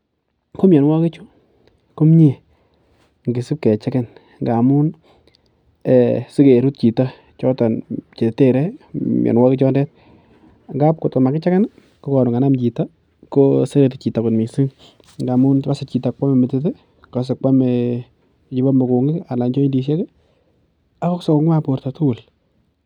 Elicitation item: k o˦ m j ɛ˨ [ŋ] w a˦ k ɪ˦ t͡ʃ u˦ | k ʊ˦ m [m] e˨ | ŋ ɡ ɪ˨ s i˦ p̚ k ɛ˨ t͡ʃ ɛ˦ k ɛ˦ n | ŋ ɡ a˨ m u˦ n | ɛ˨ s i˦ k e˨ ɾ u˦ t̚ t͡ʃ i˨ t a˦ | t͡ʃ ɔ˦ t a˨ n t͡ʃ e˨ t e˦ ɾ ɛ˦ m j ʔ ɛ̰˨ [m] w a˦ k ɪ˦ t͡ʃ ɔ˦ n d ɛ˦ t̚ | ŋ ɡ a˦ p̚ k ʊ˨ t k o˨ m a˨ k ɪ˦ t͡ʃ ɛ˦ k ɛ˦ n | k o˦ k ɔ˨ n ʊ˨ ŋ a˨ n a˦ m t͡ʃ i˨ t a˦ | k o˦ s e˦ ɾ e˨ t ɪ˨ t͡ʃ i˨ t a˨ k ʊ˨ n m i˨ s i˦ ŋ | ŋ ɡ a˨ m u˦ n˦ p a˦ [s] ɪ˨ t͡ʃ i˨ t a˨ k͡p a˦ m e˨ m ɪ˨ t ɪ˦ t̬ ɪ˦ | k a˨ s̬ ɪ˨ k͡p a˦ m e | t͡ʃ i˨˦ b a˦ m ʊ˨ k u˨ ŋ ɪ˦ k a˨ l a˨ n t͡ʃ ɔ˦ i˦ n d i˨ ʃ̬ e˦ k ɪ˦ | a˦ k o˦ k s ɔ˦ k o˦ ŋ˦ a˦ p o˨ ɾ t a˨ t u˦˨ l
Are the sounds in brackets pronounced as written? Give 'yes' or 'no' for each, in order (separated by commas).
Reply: no, no, no, yes